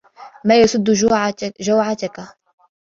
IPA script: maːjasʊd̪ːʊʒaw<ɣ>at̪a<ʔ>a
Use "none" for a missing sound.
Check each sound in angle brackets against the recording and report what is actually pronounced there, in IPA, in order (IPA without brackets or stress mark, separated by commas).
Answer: ʕ, k